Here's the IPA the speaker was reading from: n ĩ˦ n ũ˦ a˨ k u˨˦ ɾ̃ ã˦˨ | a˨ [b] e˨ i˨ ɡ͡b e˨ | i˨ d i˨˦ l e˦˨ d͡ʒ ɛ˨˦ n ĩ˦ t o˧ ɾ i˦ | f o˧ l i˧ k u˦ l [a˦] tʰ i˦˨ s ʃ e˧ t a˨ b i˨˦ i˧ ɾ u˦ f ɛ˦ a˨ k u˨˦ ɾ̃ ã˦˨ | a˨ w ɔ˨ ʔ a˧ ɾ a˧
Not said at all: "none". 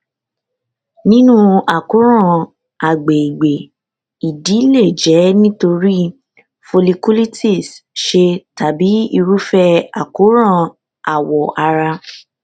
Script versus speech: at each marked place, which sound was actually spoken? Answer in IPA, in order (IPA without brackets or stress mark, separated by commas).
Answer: ɡ͡b, i˦